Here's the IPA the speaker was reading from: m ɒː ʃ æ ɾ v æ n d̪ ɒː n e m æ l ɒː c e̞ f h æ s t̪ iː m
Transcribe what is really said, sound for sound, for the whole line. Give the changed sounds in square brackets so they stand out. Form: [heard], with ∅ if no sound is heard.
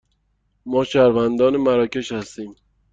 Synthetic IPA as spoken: m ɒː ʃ æ ɾ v æ n d̪ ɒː n e m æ [ɾ] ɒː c e̞ [ʃ] h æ s t̪ iː m